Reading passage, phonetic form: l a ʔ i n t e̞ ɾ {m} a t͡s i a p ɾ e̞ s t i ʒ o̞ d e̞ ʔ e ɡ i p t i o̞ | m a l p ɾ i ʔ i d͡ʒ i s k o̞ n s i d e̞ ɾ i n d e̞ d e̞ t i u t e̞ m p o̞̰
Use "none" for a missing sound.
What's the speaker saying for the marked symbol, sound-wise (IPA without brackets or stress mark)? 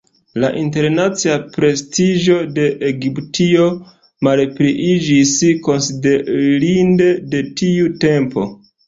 n